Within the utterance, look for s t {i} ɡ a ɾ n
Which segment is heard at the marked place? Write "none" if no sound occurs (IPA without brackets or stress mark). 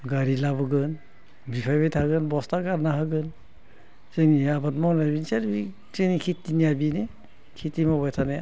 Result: a